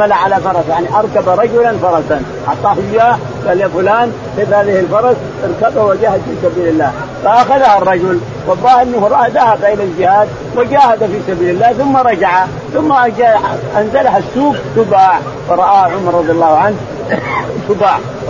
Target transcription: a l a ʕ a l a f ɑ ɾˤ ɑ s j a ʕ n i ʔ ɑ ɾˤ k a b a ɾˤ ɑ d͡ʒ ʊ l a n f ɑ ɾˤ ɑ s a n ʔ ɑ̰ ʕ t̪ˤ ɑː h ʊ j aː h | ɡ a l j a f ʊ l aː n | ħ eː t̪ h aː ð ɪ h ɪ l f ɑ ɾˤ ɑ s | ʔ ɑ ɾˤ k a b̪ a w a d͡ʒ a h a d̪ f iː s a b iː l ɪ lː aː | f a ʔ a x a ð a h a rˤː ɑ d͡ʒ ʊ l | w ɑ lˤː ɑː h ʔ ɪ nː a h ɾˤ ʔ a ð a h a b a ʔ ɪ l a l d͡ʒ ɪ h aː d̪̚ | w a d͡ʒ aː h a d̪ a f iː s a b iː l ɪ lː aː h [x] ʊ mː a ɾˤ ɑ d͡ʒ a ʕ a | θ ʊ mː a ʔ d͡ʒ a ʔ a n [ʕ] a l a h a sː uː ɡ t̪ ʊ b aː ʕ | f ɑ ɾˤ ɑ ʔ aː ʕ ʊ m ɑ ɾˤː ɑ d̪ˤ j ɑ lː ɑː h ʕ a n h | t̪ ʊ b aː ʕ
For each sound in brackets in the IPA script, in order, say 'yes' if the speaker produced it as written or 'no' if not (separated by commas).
no, no